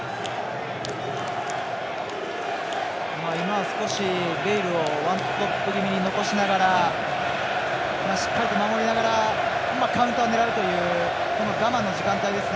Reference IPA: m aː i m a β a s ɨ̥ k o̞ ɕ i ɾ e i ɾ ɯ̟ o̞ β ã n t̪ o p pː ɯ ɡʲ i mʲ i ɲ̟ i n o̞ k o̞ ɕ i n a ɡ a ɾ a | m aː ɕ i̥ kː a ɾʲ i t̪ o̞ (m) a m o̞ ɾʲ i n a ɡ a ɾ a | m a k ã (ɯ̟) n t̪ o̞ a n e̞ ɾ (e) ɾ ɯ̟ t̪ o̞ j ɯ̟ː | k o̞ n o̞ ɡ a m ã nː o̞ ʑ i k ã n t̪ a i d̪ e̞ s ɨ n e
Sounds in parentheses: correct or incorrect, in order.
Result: correct, incorrect: ɯ̟̃, incorrect: a

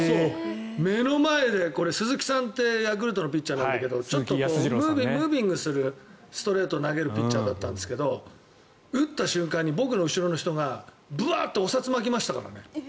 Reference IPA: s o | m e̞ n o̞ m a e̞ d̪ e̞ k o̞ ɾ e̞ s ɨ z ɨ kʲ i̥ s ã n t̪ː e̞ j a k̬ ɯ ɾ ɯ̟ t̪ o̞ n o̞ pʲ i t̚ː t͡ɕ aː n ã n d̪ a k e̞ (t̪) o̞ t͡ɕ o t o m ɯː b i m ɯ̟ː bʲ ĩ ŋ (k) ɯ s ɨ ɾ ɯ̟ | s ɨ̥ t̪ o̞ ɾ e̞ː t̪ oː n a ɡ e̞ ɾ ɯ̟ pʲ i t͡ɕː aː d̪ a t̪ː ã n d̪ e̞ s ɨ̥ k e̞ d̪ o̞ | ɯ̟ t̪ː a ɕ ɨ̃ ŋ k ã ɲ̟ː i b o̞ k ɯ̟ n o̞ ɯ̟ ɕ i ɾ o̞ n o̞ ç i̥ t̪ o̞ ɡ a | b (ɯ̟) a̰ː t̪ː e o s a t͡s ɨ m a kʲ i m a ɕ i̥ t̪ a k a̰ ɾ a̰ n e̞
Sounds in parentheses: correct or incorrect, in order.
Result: incorrect: d̪, incorrect: ɡ, correct

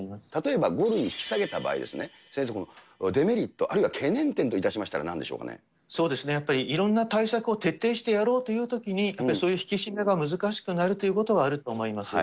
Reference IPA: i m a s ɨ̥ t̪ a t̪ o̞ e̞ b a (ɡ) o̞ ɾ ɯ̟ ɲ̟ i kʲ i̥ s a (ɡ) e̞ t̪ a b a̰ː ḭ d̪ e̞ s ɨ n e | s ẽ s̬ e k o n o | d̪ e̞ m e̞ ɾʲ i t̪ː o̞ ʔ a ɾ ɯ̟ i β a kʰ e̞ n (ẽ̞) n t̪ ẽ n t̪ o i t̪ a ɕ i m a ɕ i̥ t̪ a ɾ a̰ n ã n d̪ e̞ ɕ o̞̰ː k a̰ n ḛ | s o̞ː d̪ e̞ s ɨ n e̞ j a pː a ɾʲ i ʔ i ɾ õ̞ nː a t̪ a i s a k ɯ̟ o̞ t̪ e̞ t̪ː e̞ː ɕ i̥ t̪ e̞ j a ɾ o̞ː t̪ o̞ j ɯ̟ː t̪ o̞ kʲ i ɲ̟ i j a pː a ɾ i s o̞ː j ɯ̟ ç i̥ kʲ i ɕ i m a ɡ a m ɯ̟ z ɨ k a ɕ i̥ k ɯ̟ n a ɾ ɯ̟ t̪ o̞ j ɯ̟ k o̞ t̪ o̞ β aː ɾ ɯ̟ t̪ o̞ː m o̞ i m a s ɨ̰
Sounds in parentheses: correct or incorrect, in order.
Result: correct, correct, correct

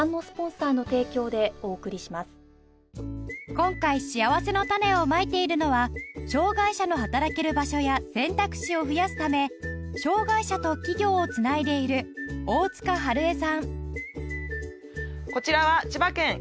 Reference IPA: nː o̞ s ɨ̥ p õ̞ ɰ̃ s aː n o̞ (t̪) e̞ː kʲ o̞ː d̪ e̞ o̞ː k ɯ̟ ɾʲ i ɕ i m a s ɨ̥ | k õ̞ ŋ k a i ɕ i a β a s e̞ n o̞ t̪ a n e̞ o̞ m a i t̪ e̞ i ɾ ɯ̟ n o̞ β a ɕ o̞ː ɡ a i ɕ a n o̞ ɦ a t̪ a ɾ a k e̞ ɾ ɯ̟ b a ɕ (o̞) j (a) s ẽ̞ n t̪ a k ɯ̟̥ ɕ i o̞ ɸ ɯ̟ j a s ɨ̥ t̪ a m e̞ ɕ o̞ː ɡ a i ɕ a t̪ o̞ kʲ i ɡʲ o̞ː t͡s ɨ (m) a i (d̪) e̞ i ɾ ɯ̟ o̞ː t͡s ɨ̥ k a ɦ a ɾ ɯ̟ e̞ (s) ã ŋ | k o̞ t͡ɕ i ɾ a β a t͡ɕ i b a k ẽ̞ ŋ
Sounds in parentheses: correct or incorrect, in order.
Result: correct, correct, correct, incorrect: n, correct, correct

